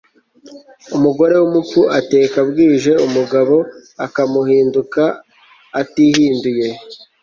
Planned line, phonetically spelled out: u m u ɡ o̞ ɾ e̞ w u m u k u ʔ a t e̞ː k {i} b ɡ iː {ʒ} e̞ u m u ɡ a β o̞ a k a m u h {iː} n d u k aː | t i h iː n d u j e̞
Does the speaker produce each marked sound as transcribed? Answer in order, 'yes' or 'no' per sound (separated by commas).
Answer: no, yes, yes